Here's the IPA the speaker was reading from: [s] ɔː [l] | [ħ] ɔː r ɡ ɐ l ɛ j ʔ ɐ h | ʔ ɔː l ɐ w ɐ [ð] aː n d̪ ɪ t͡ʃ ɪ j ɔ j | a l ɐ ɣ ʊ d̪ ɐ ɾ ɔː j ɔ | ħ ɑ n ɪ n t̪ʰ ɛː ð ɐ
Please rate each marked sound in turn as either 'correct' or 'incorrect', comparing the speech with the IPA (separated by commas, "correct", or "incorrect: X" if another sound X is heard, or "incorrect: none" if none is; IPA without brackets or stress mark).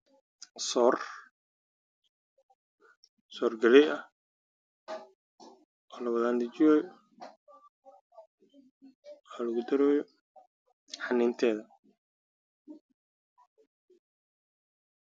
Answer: correct, incorrect: r, incorrect: s, correct